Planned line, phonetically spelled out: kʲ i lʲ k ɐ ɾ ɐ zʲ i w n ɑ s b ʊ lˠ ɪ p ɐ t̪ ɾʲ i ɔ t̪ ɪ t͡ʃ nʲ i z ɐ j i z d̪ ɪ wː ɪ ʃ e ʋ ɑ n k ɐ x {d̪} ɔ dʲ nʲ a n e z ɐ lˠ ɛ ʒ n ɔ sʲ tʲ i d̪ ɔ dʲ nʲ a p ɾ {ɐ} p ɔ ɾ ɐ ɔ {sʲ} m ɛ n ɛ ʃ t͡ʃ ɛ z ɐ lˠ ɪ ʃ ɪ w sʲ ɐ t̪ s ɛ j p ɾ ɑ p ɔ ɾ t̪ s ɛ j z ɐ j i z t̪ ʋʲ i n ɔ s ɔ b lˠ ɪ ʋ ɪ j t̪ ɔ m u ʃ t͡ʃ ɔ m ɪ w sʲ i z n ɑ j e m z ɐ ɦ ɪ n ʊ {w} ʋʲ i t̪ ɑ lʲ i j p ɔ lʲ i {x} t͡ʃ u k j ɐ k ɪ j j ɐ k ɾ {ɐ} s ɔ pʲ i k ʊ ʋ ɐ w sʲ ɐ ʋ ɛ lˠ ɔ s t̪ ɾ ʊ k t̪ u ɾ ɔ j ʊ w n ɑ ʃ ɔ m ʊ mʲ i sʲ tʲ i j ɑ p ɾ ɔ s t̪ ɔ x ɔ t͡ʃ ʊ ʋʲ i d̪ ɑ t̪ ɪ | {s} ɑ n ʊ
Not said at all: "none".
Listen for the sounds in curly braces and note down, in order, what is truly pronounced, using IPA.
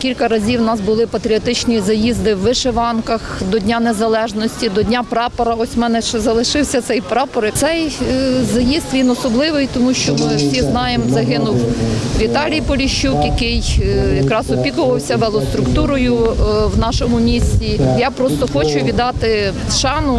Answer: d̪, ɑ, sʲ, w, ʃ, ɑ, ʃ

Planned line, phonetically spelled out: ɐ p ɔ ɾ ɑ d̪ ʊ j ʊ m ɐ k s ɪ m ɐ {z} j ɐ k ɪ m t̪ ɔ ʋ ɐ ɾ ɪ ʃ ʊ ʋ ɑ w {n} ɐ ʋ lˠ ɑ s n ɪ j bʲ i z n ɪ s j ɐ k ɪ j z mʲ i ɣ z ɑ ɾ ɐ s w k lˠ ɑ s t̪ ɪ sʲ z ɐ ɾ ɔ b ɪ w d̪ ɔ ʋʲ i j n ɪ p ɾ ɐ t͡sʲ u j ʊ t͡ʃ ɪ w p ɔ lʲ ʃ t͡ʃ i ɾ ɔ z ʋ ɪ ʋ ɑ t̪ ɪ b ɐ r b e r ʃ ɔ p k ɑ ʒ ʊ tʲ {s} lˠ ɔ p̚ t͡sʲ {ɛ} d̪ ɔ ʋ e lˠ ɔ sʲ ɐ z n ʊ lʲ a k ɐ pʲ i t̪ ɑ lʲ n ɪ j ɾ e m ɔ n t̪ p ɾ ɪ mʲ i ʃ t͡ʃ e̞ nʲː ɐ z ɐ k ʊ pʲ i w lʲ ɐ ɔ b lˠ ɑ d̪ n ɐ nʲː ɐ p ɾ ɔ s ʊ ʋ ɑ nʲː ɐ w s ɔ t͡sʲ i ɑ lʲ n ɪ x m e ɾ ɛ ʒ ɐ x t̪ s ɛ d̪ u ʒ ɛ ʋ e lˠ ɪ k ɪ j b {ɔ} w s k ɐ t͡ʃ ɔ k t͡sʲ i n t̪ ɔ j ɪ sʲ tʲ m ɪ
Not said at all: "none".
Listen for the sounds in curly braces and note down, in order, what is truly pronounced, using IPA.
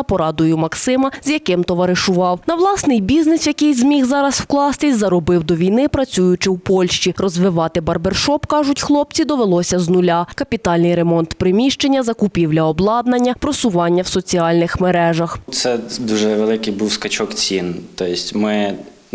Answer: z, n, x, i, u

